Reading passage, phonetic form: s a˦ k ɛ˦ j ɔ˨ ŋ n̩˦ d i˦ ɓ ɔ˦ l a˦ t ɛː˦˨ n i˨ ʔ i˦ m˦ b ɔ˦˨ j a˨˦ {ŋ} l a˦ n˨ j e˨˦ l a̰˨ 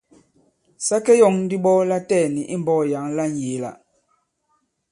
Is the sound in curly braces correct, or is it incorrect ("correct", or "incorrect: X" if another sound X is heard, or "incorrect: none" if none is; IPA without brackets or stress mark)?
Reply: correct